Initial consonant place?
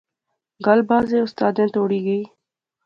velar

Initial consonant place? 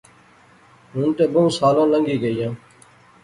glottal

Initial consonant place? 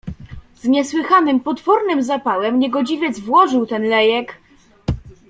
alveolar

